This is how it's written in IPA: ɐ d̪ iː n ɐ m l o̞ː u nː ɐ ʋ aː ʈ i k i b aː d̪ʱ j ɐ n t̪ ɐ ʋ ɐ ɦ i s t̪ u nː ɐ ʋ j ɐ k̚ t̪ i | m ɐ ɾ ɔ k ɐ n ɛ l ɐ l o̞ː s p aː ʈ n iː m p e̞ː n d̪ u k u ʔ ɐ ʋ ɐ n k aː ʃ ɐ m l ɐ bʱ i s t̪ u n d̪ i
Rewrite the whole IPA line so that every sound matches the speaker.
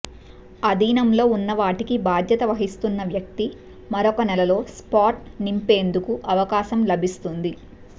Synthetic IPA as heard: ɐ d̪ iː n ɐ m l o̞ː u nː ɐ ʋ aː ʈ i k i b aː d̪ʱ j ɐ t̪ ɐ ʋ ɐ ɦ i s t̪ u nː ɐ ʋ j ɐ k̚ t̪ i | m ɐ ɾ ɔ k ɐ n ɛ l ɐ l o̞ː s p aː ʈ n i m p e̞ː n d̪ u k u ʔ ɐ ʋ ɐ k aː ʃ ɐ m l ɐ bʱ i s t̪ u n d̪ i